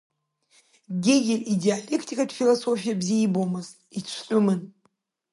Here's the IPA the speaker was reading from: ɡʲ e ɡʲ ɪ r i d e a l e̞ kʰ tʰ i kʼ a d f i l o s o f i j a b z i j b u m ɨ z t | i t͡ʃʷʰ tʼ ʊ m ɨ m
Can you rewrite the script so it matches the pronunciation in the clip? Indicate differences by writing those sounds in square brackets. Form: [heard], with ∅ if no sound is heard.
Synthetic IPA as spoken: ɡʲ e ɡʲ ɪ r i d e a l e̞ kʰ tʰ i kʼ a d f i l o s o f i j a b z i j b [o] m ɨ z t | i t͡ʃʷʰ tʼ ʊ m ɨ [n]